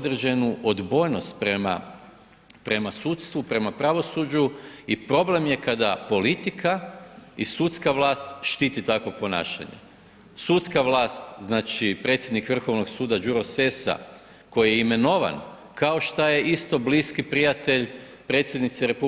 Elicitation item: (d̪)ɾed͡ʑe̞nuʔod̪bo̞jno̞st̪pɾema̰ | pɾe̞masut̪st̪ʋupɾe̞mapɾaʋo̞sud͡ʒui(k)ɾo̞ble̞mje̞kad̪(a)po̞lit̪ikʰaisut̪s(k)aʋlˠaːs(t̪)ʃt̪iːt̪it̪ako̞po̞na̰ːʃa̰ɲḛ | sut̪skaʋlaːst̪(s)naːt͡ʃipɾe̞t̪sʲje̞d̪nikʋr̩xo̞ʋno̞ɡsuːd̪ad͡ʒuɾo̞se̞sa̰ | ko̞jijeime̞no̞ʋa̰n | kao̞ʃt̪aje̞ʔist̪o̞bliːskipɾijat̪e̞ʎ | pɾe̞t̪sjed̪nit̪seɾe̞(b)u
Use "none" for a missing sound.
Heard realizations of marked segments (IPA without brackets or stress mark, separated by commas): d̪, p, a, k, t̪, z, p